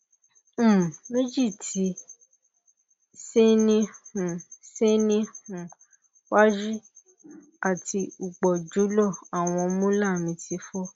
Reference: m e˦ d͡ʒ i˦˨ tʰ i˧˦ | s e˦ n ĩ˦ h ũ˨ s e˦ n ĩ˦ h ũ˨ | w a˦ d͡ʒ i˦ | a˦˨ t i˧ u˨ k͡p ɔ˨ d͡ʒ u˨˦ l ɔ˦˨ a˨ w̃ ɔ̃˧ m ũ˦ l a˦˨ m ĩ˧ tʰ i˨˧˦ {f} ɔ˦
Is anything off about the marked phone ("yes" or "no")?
no